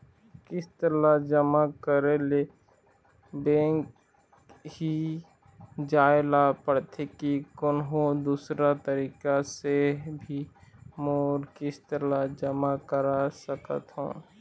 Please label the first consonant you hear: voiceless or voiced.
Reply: voiceless